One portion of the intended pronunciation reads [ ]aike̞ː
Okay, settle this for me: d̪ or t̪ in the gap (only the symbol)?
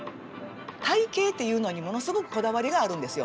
t̪